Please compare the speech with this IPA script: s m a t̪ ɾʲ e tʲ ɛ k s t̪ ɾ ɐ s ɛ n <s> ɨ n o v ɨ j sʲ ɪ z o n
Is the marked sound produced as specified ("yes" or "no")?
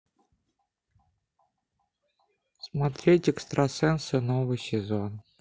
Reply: yes